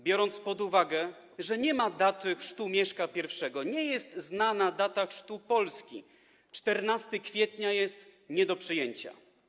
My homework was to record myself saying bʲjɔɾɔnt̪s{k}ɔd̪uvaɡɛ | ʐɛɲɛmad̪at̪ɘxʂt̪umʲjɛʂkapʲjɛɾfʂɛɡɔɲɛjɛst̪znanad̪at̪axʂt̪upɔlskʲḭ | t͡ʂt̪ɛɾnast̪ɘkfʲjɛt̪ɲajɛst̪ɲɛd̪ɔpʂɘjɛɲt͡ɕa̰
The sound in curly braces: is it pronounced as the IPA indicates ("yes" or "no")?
no